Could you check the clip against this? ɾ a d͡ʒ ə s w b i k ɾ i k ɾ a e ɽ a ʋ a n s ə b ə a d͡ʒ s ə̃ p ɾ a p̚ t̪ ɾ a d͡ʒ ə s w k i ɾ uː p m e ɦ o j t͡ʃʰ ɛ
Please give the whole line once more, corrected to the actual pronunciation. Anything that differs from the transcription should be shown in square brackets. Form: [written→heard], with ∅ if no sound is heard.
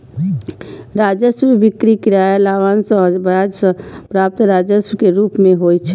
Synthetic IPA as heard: ɾ a d͡ʒ ə s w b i k ɾ i k ɾ a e [ɽ→l] a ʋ a n s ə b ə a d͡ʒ s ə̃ p ɾ a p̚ t̪ ɾ a d͡ʒ ə s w k [i→e] ɾ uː p m e ɦ o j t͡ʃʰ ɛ